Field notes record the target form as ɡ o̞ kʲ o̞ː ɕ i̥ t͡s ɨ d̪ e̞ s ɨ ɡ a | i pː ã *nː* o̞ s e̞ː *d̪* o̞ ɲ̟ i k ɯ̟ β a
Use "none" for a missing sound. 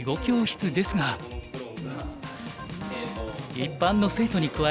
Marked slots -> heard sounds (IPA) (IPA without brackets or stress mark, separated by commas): nː, t̪